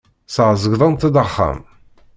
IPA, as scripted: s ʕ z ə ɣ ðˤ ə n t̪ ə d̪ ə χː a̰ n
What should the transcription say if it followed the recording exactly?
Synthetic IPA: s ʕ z ə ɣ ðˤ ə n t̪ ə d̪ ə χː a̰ m